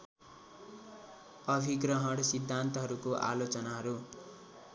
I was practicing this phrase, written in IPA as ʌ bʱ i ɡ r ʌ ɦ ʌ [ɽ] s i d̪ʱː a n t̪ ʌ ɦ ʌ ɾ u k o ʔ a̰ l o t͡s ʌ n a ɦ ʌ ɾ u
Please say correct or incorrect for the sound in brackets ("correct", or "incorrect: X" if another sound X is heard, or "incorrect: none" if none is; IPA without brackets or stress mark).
correct